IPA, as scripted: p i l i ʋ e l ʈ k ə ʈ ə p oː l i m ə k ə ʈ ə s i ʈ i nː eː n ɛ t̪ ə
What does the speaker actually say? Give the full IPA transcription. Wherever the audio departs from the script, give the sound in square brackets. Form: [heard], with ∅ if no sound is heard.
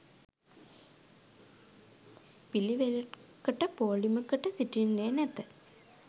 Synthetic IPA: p i l i ʋ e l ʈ k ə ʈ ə p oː l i m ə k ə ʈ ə s i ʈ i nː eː n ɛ t̪ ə